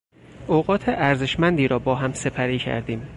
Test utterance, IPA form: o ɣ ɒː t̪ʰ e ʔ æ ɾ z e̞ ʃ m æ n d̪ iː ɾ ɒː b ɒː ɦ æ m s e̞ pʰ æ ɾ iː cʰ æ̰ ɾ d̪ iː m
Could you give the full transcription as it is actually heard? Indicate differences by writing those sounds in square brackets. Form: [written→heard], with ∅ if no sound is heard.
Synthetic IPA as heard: o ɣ ɒː t̪ʰ e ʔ æ ɾ z e̞ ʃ m æ n d̪ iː ɾ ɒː b ɒː ɦ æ m s e̞ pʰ æ ɾ iː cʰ æ̰ ɾ d̪ iː m